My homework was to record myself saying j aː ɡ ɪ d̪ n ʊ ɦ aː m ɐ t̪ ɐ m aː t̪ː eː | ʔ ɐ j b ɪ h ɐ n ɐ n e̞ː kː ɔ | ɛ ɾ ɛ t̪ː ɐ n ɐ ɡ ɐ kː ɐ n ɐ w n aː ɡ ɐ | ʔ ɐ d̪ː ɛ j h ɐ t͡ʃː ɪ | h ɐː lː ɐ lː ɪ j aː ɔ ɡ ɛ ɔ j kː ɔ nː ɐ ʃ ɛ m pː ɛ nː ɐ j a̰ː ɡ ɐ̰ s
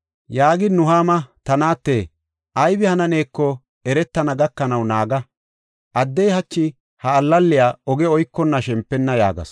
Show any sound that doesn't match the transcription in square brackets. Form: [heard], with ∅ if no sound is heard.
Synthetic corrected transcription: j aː ɡ ɪ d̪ n ʊ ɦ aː m ɐ t̪ ɐ [n] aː t̪ː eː | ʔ ɐ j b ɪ h ɐ n ɐ n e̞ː kː ɔ | ɛ ɾ ɛ t̪ː ɐ n ɐ ɡ ɐ kː ɐ n ɐ w n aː ɡ ɐ | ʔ ɐ d̪ː ɛ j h ɐ t͡ʃː ɪ | h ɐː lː ɐ lː ɪ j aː ɔ ɡ ɛ ɔ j kː ɔ nː ɐ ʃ ɛ m pː ɛ nː ɐ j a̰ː ɡ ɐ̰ s